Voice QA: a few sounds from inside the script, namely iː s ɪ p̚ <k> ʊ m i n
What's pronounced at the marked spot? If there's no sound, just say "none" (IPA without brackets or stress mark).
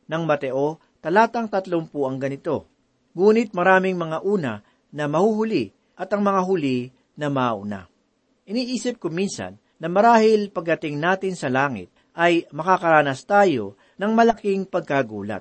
k